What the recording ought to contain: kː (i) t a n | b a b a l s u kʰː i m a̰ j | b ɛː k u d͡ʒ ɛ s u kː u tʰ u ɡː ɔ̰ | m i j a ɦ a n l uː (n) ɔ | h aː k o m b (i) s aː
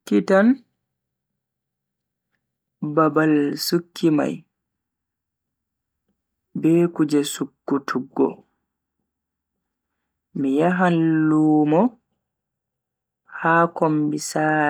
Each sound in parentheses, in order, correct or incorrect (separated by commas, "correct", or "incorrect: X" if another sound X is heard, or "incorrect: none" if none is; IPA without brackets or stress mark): correct, incorrect: m, correct